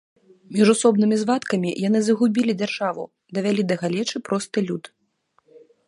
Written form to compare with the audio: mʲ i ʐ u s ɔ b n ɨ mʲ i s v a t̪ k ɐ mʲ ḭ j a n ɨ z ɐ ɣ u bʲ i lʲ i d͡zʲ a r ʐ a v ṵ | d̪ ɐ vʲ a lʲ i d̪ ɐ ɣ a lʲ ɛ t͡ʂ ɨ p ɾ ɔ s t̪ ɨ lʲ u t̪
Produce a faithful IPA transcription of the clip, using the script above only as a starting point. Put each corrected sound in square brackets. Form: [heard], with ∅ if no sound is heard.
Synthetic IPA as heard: mʲ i ʐ u s ɔ b n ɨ mʲ i [z] v a t̪ k ɐ mʲ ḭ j a n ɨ z ɐ ɣ u bʲ i lʲ i d͡zʲ a r ʐ a v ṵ | d̪ ɐ vʲ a lʲ i d̪ ɐ ɣ a lʲ ɛ t͡ʂ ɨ p ɾ ɔ s t̪ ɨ lʲ u t̪

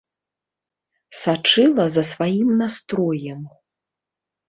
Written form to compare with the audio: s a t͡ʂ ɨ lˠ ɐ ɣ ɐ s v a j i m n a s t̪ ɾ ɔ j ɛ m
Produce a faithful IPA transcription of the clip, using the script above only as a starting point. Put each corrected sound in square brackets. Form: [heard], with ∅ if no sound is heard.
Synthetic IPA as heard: s a t͡ʂ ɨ lˠ ɐ [z] ɐ s v a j i m n a s t̪ ɾ ɔ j ɛ m

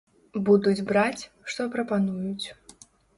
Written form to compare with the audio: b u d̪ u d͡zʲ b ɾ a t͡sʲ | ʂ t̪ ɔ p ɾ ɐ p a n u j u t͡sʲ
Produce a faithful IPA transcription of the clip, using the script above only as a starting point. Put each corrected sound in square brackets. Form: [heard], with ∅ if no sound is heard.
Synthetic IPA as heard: b u d̪ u d͡zʲ b ɾ a t͡sʲ | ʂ t̪ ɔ p ɾ ɐ p a n u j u t͡sʲ

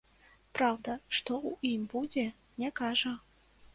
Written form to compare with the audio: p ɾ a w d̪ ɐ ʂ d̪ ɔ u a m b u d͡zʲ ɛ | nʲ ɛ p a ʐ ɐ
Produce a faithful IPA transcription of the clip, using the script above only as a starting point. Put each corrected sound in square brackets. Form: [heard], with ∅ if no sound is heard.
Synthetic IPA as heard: p ɾ a w d̪ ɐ ʂ [t̪] ɔ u [i] m b u d͡zʲ ɛ | nʲ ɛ [k] a ʐ ɐ

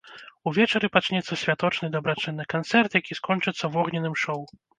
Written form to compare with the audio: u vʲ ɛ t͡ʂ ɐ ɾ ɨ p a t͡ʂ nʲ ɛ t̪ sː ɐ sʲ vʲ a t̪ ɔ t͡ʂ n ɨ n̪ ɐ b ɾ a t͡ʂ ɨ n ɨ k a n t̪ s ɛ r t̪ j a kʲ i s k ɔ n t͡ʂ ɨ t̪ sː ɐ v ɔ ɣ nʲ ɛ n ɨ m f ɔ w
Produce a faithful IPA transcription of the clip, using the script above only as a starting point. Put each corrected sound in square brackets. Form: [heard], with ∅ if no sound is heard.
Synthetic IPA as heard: u vʲ ɛ t͡ʂ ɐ ɾ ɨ p a t͡ʂ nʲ ɛ t̪ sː ɐ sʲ vʲ a t̪ ɔ t͡ʂ n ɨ [d̪] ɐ b ɾ a t͡ʂ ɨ [nː] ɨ k a n t̪ s ɛ r t̪ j a kʲ i s k ɔ n t͡ʂ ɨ t̪ sː ɐ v ɔ ɣ nʲ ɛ n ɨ m [ʂ] ɔ w

